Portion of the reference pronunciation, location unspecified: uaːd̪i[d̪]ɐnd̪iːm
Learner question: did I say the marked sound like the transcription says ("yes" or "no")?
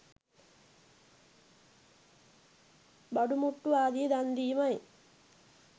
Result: yes